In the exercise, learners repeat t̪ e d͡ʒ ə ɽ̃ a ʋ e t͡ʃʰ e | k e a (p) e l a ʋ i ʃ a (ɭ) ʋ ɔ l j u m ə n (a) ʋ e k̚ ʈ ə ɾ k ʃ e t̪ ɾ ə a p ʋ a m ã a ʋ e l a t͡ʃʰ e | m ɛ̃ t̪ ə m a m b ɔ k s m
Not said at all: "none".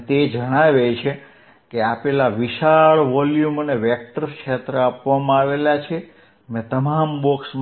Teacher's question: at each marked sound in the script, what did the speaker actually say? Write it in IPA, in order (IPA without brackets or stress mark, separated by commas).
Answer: p, ɭ, e